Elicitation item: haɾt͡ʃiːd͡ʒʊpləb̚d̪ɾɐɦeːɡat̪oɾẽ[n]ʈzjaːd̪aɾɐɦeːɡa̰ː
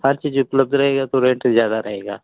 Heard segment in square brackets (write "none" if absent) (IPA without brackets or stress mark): ɳ